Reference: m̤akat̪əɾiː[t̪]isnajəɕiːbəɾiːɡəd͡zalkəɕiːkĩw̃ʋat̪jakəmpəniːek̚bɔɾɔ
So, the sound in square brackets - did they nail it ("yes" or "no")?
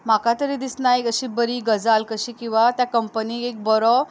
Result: no